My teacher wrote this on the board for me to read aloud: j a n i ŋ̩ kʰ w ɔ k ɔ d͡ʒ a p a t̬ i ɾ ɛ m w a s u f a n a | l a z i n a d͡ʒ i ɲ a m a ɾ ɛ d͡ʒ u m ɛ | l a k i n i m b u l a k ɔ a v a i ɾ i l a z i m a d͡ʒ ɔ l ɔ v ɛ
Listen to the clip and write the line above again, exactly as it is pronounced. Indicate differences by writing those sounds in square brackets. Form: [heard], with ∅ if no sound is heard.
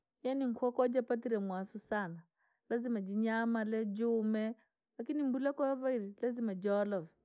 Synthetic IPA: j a n i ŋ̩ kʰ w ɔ k ɔ d͡ʒ a p a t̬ i ɾ ɛ m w a s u [s] a n a | l a z i [m] a d͡ʒ i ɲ a m a [l] ɛ d͡ʒ u m ɛ | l a k i n i m b u l a k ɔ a v a i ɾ i l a z i m a d͡ʒ ɔ l ɔ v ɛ